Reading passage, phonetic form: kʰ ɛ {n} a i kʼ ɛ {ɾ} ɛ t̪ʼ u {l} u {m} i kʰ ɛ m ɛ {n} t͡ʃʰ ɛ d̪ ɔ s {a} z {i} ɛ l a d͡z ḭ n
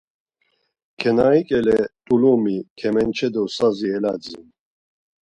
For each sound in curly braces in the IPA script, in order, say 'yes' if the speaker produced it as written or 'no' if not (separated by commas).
yes, no, yes, yes, yes, yes, yes